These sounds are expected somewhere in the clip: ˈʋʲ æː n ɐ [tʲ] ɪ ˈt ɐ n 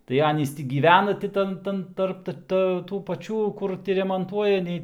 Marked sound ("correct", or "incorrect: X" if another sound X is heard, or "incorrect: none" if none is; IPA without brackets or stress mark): correct